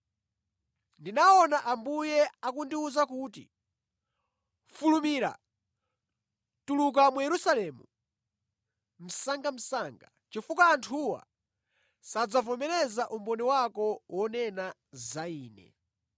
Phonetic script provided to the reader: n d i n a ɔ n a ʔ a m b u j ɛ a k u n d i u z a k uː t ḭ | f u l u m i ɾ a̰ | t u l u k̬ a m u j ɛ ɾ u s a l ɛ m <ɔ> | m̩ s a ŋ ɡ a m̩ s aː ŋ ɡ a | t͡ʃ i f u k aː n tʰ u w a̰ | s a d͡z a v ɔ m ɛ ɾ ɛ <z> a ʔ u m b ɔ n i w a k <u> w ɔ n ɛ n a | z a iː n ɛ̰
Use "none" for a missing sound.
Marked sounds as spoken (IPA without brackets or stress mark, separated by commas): u, z, ɔ